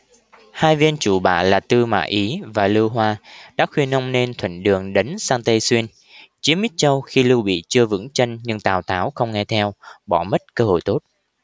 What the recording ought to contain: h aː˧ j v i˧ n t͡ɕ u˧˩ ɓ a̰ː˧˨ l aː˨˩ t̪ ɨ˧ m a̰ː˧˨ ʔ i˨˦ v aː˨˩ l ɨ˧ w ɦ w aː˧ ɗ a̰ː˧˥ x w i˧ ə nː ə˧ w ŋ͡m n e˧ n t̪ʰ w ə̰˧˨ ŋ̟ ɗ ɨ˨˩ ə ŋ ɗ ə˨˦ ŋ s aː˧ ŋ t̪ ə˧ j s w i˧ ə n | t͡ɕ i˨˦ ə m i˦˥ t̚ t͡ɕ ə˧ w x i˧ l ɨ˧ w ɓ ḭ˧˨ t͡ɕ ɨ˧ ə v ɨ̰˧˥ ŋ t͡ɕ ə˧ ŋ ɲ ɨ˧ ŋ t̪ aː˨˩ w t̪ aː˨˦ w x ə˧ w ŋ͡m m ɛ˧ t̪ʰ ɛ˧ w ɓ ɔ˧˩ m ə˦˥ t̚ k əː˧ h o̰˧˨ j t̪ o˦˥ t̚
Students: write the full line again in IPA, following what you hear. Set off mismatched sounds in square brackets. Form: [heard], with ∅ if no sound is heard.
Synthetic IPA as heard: h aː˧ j v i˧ n t͡ɕ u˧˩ ɓ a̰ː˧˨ l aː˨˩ t̪ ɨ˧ m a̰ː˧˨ ʔ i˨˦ v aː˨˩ l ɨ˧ w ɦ w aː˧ ɗ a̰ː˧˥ x w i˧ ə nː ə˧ w ŋ͡m n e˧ n t̪ʰ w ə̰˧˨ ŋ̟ ɗ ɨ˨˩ ə ŋ ɗ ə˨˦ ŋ s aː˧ ŋ t̪ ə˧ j s w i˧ ə n | t͡ɕ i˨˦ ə m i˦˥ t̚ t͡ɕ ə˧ w x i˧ l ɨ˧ w ɓ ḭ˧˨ t͡ɕ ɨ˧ ə v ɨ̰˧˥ ŋ t͡ɕ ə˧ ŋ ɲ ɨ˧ ŋ t̪ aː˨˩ w t̪ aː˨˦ w x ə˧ w ŋ͡m [ŋ] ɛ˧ t̪ʰ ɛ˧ w ɓ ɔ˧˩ m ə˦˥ t̚ k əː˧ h o̰˧˨ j t̪ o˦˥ t̚